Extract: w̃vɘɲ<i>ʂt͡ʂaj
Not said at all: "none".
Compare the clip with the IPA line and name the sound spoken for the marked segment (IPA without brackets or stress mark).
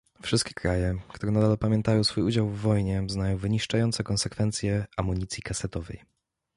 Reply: i